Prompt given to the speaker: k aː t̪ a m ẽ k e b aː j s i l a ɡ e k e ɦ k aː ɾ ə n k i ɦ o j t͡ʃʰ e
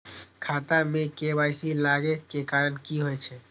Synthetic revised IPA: kʰ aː t̪ a m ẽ k e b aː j s i l a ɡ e k e k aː ɾ ə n k i ɦ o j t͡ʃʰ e